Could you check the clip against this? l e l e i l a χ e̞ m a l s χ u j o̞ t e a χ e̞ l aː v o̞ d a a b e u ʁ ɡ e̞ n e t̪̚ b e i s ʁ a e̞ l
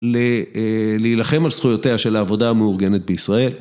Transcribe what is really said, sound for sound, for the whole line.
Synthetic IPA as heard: l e l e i l a χ e̞ m a l s χ u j o̞ t e a ʃ e̞ l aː v o̞ d a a m e u ʁ ɡ e̞ n e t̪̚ b e i s ʁ a e̞ l